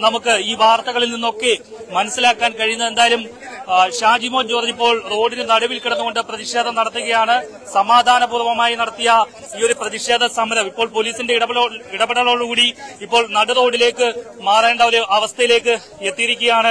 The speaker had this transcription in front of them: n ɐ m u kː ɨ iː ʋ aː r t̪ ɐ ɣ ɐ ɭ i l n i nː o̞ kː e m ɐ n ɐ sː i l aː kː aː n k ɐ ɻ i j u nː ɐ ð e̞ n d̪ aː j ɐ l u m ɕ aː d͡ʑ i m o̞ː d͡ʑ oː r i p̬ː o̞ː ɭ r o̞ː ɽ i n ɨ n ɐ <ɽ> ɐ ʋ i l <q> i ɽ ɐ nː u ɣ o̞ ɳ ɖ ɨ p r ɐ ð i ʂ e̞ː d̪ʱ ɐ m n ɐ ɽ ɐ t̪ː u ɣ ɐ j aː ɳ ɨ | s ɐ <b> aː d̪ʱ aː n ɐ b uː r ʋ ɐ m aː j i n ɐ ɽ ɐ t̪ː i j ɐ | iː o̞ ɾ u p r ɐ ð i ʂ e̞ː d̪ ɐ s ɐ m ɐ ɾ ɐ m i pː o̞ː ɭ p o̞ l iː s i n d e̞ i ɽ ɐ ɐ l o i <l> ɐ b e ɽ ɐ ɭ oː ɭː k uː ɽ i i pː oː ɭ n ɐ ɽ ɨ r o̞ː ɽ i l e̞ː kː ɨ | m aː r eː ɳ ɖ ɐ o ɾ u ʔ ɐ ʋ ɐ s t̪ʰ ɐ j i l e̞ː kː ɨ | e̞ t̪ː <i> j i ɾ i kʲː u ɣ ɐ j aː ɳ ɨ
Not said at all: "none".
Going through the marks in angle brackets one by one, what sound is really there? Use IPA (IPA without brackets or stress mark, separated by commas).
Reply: ɽ, k, m, ɽ, i